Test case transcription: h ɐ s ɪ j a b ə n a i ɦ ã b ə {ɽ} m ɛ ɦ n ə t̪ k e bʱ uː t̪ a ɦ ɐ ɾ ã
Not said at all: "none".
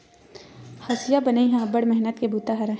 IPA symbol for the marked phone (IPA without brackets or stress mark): ɽ